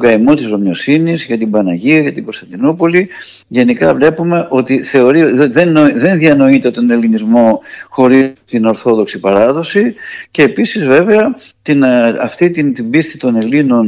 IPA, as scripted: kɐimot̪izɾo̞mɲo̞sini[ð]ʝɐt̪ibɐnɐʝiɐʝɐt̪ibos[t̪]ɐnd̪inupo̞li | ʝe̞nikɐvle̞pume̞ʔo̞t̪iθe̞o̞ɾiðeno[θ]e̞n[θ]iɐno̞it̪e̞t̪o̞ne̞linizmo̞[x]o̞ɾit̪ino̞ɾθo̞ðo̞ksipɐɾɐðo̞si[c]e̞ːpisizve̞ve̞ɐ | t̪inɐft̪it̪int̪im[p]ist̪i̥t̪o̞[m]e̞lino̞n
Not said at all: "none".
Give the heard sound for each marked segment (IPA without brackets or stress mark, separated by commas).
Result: z, t̪, ð, ð, x, c, b, n